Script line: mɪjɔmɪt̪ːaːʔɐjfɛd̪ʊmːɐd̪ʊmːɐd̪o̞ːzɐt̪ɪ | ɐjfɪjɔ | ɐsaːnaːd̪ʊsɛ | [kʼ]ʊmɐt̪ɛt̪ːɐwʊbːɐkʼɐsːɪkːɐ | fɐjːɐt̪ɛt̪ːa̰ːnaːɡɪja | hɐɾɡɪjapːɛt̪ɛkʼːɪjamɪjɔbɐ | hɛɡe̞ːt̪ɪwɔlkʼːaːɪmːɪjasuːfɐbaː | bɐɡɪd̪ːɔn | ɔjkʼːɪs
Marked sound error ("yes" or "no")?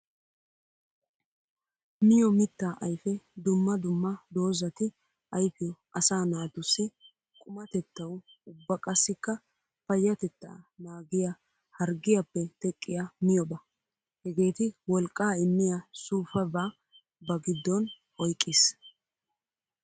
no